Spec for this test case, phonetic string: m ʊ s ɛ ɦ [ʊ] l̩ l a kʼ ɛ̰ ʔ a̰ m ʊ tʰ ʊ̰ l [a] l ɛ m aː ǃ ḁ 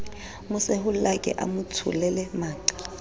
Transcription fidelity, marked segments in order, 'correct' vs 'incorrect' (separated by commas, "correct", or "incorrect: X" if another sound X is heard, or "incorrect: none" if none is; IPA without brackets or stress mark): correct, incorrect: ɛ